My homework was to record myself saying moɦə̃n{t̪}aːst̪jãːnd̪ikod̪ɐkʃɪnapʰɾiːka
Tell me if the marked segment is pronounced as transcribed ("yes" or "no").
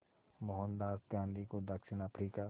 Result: no